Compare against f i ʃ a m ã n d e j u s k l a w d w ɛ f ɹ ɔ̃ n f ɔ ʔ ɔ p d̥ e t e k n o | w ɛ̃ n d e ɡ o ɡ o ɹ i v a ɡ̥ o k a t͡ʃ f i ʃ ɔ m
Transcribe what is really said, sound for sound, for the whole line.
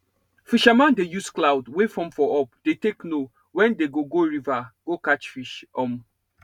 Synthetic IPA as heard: f i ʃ a m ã n d e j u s k l a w d w e f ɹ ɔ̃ m f ɔ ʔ ɔ p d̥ e t e k n o | w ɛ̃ n d e ɡ o ɡ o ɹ i v a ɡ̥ o k a t͡ʃ f i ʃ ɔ m